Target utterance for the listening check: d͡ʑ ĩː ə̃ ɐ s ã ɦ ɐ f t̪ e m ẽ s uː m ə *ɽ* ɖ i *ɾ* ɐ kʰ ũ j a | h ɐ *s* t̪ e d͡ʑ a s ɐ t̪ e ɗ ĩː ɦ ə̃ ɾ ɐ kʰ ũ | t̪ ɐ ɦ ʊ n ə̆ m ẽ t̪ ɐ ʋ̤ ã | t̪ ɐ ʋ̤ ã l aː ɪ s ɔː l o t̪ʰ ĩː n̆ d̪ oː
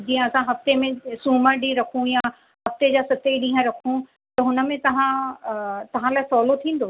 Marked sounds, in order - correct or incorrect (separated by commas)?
incorrect, correct, incorrect